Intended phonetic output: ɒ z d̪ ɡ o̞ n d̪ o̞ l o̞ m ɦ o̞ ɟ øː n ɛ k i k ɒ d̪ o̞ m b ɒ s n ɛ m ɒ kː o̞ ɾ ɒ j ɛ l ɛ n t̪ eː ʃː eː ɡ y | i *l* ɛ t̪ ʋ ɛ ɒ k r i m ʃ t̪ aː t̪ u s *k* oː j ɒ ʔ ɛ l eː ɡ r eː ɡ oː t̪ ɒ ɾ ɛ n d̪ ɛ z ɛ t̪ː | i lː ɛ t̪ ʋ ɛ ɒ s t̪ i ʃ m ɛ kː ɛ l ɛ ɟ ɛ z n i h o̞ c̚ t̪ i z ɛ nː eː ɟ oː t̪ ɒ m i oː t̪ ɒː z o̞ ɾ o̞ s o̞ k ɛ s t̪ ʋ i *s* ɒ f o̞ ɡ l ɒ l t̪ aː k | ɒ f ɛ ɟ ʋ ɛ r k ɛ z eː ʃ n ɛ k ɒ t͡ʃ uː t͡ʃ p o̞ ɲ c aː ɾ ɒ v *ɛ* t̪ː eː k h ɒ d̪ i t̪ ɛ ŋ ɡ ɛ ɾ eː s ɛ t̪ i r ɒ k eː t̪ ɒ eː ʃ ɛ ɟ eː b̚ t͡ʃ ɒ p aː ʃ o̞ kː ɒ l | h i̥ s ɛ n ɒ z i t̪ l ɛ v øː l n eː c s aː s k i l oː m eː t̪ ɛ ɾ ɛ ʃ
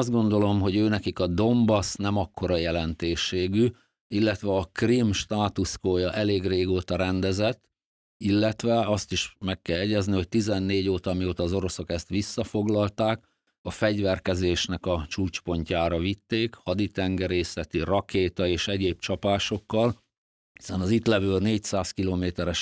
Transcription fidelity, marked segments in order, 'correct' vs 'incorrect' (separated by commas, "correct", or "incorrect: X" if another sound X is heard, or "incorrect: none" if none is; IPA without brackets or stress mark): incorrect: lː, correct, incorrect: sː, incorrect: i